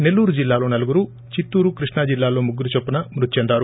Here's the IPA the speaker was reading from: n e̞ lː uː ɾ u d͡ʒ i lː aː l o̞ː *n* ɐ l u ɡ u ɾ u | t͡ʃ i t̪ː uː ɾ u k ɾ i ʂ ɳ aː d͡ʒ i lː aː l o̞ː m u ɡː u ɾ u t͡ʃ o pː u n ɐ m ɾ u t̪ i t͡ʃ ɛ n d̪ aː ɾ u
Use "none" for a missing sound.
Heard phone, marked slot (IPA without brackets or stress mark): n